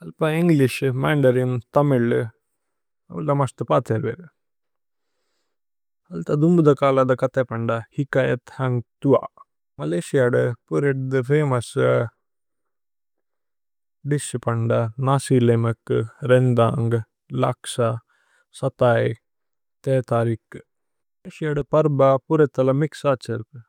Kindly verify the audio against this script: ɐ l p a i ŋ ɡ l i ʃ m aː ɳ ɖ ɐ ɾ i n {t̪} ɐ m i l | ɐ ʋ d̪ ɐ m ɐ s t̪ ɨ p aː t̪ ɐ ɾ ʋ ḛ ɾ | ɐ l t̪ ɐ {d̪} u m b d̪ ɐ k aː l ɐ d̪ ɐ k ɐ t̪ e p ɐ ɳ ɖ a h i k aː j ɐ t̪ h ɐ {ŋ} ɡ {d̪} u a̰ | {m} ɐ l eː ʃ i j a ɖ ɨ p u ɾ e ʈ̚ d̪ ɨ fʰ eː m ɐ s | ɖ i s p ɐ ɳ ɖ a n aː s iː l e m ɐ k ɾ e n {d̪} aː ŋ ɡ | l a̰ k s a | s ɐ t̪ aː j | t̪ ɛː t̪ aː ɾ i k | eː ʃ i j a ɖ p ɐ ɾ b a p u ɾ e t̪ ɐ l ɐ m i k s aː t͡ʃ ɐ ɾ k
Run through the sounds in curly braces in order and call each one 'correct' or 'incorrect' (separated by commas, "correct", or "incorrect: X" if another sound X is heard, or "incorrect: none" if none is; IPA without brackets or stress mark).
correct, correct, correct, incorrect: t̪, correct, correct